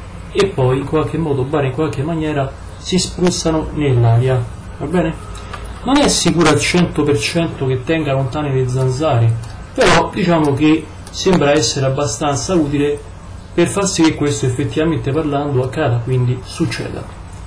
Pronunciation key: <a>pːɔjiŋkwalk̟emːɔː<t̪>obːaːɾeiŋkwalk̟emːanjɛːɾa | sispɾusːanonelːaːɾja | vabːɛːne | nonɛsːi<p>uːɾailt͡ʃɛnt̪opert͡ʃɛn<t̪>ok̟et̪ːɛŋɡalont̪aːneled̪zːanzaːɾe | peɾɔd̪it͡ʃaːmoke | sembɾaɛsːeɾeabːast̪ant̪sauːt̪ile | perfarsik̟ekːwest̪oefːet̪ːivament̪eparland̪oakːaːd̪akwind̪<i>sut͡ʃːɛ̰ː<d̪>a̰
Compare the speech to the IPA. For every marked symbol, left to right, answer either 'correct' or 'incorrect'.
incorrect: e, incorrect: d̪, incorrect: k, correct, correct, correct

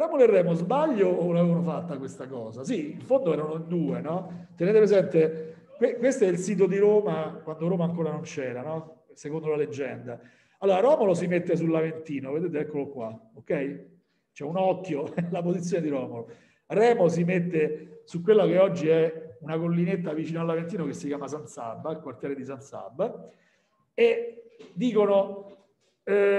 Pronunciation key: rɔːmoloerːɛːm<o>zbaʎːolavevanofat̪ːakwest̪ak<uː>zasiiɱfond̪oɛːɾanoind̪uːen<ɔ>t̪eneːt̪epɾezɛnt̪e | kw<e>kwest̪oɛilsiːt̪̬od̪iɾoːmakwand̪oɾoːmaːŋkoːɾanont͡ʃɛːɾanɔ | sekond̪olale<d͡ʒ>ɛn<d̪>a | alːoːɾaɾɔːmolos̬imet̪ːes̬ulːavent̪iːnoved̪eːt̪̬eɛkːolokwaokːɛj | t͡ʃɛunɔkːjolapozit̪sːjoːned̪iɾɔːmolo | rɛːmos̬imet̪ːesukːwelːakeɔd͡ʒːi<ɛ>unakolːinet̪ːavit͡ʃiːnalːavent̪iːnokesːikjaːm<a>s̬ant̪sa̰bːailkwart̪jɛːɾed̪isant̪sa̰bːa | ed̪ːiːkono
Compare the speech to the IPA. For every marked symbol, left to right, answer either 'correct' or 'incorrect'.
correct, incorrect: ɔː, correct, correct, incorrect: d͡ʒː, correct, correct, correct

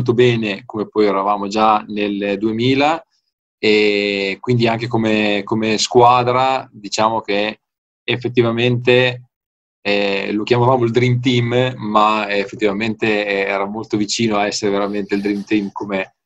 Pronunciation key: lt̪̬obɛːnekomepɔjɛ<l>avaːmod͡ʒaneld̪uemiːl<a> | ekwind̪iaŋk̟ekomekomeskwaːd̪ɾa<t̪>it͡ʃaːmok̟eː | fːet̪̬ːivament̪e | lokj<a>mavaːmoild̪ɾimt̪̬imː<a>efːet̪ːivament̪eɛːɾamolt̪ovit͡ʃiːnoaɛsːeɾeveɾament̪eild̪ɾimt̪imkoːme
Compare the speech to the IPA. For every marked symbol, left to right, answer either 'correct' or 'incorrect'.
incorrect: ɾ, correct, incorrect: d̪, correct, correct

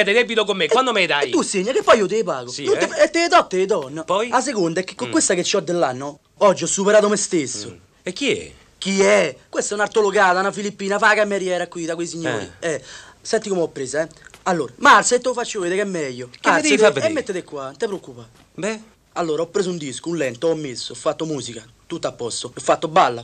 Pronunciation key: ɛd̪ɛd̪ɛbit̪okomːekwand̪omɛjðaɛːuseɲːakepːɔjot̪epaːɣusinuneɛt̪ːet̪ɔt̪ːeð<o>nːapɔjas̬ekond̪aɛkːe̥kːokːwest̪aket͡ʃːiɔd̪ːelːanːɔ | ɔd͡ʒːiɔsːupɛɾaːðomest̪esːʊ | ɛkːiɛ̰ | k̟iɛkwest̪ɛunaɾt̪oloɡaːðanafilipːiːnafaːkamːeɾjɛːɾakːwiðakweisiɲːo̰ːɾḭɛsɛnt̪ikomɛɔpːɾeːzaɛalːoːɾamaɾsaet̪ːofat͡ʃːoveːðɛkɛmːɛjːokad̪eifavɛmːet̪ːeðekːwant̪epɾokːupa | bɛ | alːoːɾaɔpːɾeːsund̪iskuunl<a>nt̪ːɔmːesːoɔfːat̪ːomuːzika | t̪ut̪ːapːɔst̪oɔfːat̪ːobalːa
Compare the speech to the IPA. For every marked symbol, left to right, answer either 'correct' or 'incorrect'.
incorrect: ɔ, incorrect: ɛ

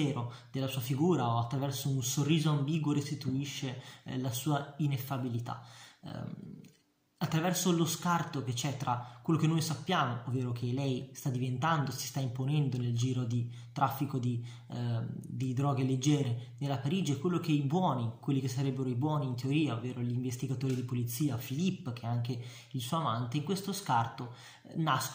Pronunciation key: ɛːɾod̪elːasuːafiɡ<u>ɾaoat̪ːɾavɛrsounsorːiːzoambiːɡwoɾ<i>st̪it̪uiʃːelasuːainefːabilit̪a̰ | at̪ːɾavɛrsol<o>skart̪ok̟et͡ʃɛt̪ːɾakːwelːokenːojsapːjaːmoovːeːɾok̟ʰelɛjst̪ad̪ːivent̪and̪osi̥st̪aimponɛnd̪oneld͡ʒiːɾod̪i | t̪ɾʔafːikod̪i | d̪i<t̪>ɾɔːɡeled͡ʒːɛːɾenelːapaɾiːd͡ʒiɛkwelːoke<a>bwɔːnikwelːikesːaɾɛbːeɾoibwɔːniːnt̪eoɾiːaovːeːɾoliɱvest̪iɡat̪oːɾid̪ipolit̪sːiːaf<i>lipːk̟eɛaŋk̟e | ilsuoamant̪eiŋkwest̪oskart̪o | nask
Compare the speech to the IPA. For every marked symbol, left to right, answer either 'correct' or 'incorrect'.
incorrect: uː, incorrect: e, correct, incorrect: d̪, incorrect: i, correct

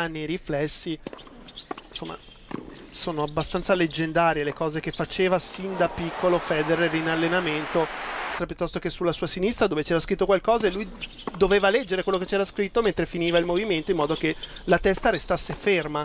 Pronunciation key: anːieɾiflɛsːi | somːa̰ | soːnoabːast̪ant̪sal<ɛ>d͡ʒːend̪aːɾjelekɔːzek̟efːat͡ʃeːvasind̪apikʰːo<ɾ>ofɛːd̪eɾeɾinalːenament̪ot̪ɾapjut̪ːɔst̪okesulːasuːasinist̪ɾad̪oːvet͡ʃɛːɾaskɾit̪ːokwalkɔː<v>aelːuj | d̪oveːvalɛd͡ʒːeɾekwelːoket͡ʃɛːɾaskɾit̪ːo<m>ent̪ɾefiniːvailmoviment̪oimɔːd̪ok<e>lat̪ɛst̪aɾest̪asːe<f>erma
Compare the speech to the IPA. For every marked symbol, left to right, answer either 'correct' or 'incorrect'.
incorrect: e, incorrect: l, incorrect: z, correct, correct, correct

